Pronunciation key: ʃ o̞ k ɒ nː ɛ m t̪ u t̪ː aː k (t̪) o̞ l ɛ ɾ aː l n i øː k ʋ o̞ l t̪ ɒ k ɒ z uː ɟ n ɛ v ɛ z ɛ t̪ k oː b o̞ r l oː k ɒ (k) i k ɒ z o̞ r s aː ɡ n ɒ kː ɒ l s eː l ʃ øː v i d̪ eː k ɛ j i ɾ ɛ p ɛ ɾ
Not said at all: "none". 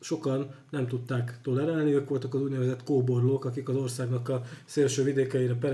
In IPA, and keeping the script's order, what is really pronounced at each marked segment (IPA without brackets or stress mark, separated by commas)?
t̪, k